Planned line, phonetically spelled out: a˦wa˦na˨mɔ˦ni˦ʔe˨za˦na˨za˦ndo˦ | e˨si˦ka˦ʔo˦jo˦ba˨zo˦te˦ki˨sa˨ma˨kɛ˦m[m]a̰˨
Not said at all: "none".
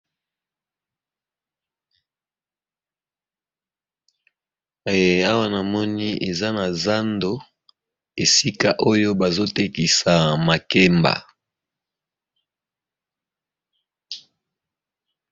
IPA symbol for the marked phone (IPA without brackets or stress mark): b